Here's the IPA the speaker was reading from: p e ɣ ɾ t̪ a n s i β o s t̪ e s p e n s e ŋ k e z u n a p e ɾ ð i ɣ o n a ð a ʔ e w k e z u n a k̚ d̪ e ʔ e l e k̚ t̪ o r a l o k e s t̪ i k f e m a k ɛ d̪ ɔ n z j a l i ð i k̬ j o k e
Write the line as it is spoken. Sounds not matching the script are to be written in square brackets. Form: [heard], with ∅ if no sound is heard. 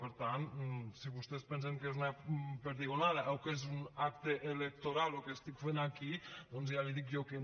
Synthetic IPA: p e [∅] ɾ t̪ a n s i β [u] s t̪ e s p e n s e ŋ k e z u n a p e ɾ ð i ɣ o n a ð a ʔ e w k e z u n a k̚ [t̪] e ʔ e l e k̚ t̪ o [ɾ] a l o k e s t̪ i k f e [n] a k [i] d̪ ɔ n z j a l i ð i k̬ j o k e

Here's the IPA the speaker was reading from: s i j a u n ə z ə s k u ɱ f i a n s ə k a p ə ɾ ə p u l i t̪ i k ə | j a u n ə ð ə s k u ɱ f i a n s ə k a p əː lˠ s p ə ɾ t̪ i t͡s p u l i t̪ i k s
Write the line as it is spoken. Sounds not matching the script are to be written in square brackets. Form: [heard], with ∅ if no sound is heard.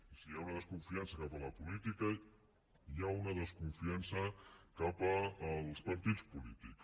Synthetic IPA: s i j a u n ə [ð] ə s k u ɱ f i a n s ə k a p ə [l] ə p u l i t̪ i k ə | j a u n ə ð ə s k u ɱ f i a n s ə k a p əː lˠ s p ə ɾ t̪ i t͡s p u l i t̪ i k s

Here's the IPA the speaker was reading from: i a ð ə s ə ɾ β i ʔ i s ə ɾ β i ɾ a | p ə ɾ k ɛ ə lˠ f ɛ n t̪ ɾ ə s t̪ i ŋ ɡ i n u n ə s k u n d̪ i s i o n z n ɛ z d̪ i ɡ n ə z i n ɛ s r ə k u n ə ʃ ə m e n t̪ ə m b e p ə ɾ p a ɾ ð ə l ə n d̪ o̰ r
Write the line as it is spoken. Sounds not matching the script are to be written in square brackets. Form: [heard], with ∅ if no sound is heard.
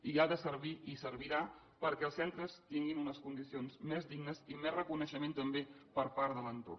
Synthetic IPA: i a ð ə s ə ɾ β i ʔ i s ə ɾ β i ɾ a | p ə ɾ k ɛ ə lˠ [s] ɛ n t̪ ɾ ə s t̪ i ŋ ɡ i n u n ə s k u n d̪ i s i o n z [m] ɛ z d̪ i ɡ n ə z i [m] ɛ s r ə k u n ə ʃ ə m e n t̪ ə m b e p ə ɾ p a ɾ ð ə l ə n [t̪] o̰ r

